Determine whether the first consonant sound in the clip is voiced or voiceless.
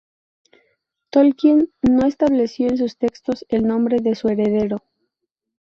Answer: voiceless